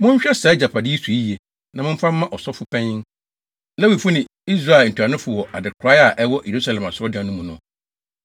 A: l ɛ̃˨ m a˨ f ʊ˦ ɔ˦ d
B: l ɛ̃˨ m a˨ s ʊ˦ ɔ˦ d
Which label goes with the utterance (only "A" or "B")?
B